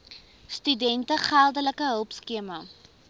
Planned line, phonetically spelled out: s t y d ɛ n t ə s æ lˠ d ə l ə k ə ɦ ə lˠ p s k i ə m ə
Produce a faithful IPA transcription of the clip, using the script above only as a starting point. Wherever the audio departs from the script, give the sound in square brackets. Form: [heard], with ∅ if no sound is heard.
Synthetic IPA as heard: s t y d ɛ n t ə [χ] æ lˠ d ə l ə k ə ɦ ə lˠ p s k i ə m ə